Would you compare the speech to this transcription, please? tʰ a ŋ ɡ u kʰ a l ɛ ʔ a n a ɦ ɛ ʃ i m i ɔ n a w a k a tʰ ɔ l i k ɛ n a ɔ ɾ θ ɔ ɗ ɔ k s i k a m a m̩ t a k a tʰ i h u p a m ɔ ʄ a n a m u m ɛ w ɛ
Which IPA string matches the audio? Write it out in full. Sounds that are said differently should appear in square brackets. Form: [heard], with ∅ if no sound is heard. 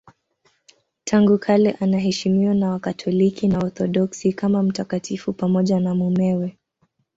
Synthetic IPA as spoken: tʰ a ŋ ɡ u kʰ a l ɛ ʔ a n a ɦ ɛ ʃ i m i ɔ n a w a k a tʰ ɔ l i k [i] n a ɔ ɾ θ ɔ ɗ ɔ k s i k a m a m̩ t a k a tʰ i [f] u p a m ɔ ʄ a n a m u m ɛ w ɛ